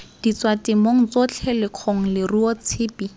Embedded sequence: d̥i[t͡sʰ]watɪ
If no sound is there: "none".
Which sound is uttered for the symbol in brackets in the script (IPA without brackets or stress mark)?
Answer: t͡s